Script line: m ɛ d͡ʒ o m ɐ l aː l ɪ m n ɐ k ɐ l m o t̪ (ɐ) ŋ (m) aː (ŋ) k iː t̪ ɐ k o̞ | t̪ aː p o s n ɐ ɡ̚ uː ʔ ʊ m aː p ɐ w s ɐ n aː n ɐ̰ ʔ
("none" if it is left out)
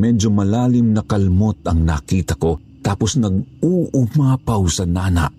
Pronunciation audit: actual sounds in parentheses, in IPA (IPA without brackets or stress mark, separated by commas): ɐ, n, none